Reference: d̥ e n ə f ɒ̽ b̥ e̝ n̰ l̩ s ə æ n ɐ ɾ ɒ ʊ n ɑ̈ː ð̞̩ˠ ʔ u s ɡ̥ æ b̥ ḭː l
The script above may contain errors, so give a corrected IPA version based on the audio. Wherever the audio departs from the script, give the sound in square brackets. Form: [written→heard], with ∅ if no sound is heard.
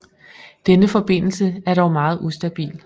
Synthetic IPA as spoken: d̥ e n ə f ɒ̽ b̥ e̝ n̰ l̩ s ə æ [n→∅] ɐ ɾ ɒ ʊ [n→m] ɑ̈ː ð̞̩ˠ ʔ u s [ɡ̥→d̥] æ b̥ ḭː l